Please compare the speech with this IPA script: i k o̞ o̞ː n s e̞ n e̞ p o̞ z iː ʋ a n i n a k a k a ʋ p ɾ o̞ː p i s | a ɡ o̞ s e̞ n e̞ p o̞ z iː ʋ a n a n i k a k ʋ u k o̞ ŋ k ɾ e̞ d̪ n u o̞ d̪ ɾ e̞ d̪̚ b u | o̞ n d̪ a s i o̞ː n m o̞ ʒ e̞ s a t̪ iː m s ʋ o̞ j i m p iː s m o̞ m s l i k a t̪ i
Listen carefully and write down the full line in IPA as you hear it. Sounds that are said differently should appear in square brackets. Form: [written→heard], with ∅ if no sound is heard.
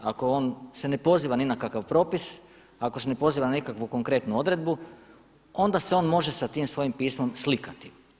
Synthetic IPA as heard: [i→a] k o̞ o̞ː n s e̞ n e̞ p o̞ z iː ʋ a n i n a k a k a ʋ p ɾ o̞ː p i s | a [ɡ→k] o̞ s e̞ n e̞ p o̞ z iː ʋ a n a n i k a k ʋ u k o̞ ŋ k ɾ e̞ [d̪→t̪] n u o̞ d̪ ɾ e̞ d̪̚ b u | o̞ n d̪ a s [i→e] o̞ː n m o̞ ʒ e̞ s a t̪ iː m s ʋ o̞ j i m p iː s m o̞ m s l i k a t̪ i